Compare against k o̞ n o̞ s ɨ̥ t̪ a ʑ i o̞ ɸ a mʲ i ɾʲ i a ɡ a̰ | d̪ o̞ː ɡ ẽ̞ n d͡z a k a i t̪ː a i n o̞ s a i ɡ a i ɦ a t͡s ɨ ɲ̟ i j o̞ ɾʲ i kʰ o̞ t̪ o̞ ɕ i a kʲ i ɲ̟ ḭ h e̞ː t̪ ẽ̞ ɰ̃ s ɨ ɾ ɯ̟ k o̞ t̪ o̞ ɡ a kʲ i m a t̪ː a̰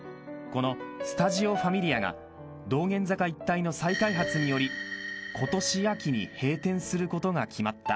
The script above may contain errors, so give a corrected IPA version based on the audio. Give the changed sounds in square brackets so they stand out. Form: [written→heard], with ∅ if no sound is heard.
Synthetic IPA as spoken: k o̞ n o̞ s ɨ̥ t̪ a ʑ i o̞ ɸ a mʲ i ɾʲ i a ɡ a̰ | d̪ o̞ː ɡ ẽ̞ n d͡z a k a i t̪ː a i n o̞ s a i [ɡ→k] a i ɦ a t͡s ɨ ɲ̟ i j o̞ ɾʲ i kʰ o̞ t̪ o̞ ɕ i a kʲ i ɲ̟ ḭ h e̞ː t̪ ẽ̞ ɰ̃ s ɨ ɾ ɯ̟ k o̞ t̪ o̞ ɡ a kʲ i m a t̪ː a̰